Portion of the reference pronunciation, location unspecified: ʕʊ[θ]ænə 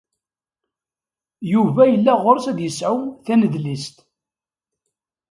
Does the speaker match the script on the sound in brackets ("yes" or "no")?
yes